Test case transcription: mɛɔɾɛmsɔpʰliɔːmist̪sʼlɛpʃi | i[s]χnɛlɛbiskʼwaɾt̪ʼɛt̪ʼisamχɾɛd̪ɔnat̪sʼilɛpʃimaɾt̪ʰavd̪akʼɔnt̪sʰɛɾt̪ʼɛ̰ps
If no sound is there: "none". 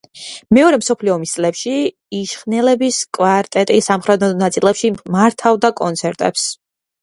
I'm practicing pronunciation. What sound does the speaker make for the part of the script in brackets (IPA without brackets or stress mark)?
ʃ